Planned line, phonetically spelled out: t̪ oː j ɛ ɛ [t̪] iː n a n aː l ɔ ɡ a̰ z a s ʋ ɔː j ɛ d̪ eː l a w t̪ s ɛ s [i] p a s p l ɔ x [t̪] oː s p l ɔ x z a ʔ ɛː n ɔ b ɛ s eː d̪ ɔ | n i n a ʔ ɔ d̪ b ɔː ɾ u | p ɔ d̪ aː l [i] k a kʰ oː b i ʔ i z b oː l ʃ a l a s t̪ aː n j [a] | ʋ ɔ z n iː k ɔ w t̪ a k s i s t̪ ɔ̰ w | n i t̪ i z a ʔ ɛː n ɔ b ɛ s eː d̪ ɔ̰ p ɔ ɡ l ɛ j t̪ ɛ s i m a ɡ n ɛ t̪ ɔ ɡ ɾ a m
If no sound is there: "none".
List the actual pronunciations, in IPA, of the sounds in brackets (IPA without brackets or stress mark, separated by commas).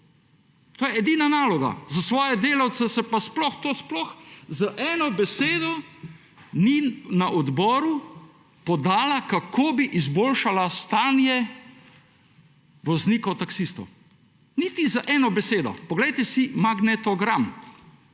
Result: d̪, ɛ, t̪, a, ɛ